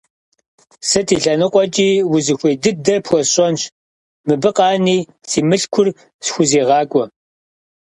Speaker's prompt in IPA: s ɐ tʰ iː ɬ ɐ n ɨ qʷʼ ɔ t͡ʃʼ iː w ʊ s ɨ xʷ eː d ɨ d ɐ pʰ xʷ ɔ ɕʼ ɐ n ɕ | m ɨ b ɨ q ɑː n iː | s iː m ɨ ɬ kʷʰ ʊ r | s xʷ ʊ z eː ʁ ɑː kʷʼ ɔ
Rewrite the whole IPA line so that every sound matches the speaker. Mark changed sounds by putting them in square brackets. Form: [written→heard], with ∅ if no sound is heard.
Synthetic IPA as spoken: s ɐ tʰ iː ɬ ɐ n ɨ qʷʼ ɔ t͡ʃʼ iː w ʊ [s→z] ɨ xʷ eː d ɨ d ɐ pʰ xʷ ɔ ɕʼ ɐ n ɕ | m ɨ b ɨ q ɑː n iː | s iː m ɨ ɬ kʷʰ ʊ r | s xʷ ʊ z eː ʁ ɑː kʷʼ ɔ